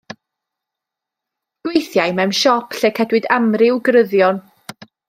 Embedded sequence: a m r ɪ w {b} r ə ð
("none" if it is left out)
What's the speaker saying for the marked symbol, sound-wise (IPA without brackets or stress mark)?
ɡ